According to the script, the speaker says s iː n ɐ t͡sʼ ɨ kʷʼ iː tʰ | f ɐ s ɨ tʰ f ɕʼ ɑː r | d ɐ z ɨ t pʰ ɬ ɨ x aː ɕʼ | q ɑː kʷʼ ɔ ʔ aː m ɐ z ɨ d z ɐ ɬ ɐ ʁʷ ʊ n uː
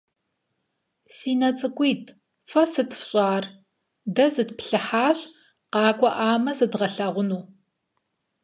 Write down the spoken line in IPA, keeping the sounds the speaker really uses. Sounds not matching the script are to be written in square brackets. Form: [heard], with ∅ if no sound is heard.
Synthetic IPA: s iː n ɐ t͡sʼ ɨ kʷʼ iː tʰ | f ɐ s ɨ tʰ f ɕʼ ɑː r | d ɐ z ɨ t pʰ ɬ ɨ [ħ] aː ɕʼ | q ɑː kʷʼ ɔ ʔ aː m ɐ z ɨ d [ʁ] ɐ ɬ ɐ ʁʷ ʊ n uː